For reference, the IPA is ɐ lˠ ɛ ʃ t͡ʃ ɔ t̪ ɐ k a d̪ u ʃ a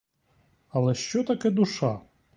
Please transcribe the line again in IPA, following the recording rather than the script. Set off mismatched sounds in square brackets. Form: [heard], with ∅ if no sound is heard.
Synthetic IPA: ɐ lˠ ɛ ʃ t͡ʃ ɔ t̪ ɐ k [ɛ] d̪ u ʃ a

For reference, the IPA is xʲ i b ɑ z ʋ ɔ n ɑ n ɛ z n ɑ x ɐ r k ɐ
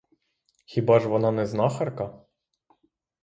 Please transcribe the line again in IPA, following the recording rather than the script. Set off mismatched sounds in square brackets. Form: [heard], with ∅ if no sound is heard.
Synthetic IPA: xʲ i b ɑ [ʒ] ʋ ɔ n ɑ n ɛ z n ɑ x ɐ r k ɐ

